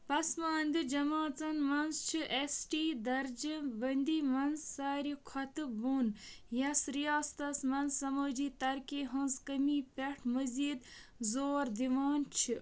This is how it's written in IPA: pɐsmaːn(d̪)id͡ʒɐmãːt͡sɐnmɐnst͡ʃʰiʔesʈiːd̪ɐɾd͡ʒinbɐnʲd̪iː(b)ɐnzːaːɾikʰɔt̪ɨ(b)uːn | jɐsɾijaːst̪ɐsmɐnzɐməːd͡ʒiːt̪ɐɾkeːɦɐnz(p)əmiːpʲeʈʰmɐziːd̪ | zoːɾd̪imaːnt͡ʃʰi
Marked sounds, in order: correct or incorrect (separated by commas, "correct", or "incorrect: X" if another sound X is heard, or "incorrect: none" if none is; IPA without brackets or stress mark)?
correct, incorrect: m, correct, incorrect: k